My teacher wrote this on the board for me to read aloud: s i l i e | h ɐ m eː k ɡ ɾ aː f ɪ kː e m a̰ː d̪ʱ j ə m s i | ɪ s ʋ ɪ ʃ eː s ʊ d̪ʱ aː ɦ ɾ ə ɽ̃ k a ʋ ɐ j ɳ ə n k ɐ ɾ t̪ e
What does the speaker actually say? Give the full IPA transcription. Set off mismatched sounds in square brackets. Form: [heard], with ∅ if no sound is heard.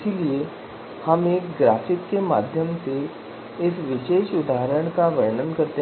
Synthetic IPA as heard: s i l i e | h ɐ m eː k ɡ ɾ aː f ɪ kː e m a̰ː d̪ʱ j ə m s [e] | ɪ s ʋ ɪ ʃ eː [ʃ] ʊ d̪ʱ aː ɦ ɾ ə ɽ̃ k a ʋ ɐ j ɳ ə n k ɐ ɾ t̪ e